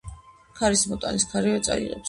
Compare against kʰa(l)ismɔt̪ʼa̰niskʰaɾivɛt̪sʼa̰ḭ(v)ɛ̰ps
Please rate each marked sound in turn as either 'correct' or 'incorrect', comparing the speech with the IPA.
incorrect: ɾ, incorrect: ʁ

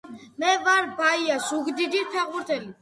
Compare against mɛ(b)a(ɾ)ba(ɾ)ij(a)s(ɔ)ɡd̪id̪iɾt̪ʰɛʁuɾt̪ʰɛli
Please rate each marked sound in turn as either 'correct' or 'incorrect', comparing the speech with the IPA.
incorrect: v, correct, incorrect: none, correct, incorrect: u

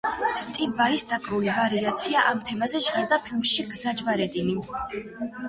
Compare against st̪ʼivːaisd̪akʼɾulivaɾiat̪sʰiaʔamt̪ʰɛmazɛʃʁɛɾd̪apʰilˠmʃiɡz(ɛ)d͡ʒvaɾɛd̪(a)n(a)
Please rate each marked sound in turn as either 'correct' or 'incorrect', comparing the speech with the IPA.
incorrect: a, incorrect: i, incorrect: i

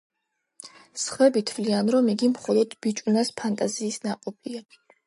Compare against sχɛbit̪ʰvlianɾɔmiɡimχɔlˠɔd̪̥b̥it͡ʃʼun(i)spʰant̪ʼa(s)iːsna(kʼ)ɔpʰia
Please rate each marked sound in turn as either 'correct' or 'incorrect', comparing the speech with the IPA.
incorrect: a, incorrect: z, incorrect: qʼ

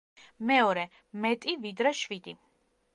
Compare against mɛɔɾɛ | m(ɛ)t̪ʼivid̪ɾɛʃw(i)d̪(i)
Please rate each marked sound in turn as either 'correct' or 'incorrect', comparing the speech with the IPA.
correct, correct, correct

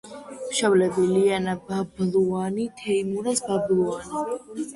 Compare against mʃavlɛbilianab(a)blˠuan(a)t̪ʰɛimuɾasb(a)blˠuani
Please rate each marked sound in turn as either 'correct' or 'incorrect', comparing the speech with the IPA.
correct, incorrect: i, correct

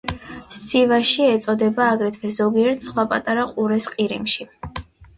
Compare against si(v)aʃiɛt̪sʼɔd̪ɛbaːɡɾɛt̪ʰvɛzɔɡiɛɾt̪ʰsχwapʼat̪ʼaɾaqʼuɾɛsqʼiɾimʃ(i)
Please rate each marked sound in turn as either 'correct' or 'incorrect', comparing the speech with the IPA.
correct, correct

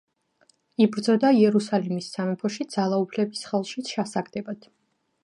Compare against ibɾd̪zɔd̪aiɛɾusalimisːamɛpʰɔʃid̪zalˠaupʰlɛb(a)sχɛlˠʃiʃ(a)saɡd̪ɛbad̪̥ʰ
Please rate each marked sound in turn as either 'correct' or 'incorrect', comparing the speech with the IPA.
incorrect: i, correct

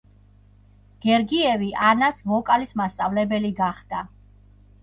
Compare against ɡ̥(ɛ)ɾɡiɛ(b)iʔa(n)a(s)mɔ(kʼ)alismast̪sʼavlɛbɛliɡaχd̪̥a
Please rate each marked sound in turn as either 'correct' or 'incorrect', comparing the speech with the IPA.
correct, incorrect: v, correct, correct, correct

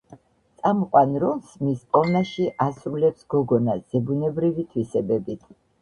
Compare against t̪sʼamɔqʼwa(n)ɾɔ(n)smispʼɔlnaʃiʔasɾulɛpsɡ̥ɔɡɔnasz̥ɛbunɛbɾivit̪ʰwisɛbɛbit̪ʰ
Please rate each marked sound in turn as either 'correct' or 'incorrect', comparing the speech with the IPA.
correct, correct

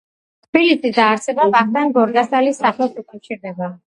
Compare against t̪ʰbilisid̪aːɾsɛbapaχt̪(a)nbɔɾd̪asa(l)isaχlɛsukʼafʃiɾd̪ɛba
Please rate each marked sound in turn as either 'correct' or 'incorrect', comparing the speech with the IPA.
correct, correct

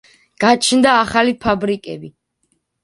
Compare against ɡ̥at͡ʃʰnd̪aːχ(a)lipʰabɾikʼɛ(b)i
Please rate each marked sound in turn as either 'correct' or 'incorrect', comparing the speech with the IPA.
correct, correct

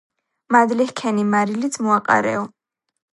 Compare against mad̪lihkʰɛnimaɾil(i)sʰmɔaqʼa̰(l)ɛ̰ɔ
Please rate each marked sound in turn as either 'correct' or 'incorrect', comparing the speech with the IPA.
correct, incorrect: ɾ

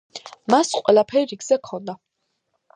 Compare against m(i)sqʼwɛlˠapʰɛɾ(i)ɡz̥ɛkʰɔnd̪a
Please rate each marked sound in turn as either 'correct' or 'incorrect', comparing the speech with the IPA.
incorrect: a, correct

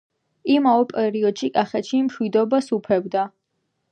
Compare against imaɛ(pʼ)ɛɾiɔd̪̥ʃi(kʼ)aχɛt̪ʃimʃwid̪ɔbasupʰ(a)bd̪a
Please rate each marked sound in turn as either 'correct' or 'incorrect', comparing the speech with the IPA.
correct, correct, incorrect: ɛ

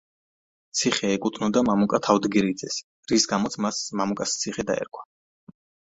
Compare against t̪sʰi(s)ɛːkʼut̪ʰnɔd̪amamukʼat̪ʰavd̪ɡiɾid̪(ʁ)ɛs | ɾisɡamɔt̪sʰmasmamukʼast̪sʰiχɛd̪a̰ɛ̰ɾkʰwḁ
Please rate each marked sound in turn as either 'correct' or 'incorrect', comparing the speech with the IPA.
incorrect: χ, incorrect: z

